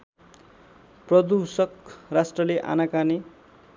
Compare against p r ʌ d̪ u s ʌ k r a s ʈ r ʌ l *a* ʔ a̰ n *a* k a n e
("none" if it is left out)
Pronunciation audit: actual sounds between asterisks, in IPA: e, a

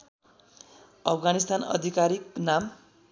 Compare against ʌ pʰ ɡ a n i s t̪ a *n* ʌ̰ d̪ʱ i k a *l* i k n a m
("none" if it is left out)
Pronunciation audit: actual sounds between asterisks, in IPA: n, ɾ

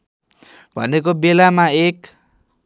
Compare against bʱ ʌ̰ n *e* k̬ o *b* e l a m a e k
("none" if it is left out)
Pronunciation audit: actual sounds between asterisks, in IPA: e, b

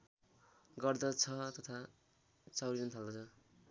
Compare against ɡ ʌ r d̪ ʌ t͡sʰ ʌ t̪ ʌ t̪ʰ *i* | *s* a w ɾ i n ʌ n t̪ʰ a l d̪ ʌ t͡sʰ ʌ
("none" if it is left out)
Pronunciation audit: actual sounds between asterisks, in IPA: a, t͡s

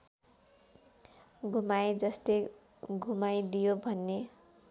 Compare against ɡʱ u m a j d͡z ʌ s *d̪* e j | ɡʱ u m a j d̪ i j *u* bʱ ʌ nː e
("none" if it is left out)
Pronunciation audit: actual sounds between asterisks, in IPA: t̪, o

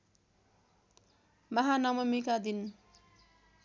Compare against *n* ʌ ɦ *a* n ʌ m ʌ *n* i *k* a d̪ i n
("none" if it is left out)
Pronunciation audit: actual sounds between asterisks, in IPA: m, a, m, k

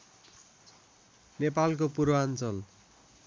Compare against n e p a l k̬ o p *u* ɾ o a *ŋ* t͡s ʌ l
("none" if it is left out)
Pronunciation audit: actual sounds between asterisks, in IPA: u, n

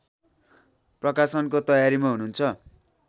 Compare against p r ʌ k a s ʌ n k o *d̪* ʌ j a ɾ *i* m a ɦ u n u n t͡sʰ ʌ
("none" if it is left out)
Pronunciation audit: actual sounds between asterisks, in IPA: t̪, i

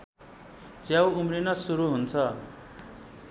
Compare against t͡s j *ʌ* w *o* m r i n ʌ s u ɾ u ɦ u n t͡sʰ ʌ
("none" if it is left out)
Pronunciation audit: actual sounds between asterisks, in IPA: a, u

